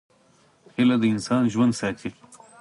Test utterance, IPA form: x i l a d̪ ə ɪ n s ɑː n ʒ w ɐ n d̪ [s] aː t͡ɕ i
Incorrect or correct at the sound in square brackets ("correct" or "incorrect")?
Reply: correct